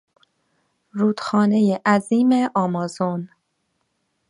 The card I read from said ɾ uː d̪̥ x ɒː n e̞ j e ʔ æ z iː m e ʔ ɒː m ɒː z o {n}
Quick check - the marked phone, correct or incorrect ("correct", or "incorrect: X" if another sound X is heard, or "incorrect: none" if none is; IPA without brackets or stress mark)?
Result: correct